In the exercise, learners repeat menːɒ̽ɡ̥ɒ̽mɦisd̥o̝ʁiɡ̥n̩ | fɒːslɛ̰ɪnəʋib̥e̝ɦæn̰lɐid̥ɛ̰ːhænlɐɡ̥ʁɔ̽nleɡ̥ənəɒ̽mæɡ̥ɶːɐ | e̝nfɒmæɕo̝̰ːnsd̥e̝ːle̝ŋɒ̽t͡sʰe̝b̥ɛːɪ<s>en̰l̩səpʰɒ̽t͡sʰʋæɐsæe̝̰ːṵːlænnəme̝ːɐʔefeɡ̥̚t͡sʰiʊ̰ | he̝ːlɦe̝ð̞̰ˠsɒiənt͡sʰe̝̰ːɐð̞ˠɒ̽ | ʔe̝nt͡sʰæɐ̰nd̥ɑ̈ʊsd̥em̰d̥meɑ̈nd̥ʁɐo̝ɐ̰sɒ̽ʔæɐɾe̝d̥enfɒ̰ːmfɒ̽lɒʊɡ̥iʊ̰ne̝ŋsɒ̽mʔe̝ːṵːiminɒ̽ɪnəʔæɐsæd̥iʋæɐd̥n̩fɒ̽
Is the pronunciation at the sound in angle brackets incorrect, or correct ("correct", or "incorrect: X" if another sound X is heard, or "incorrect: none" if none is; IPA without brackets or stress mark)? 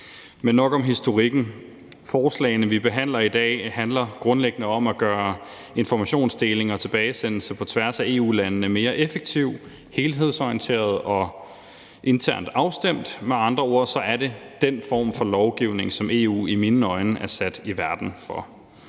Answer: correct